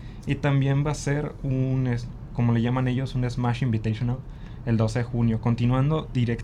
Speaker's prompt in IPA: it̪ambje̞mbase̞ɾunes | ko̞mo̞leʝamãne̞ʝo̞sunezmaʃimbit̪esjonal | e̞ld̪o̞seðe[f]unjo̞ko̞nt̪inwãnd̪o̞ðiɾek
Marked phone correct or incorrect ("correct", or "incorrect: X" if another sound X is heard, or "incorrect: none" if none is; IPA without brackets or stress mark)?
incorrect: x